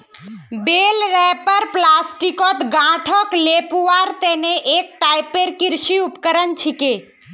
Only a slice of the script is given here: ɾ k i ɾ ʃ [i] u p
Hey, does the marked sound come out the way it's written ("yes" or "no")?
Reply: yes